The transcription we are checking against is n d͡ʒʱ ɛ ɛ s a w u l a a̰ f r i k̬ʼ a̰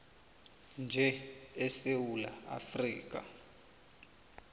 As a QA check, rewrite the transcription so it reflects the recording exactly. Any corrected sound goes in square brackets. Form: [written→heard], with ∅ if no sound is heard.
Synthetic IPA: n d͡ʒʱ ɛ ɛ s [a→e] w u l a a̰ f r [i→iː] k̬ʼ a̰